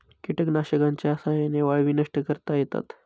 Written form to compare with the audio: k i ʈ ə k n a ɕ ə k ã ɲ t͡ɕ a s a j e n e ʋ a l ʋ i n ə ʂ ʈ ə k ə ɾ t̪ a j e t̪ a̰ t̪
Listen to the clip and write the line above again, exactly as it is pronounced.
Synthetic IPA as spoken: k i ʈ ə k n a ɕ ə k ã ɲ t͡ɕ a s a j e n e ʋ a ɭ ʋ i n ə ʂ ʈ ə k ə ɾ t̪ a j e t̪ a̰ t̪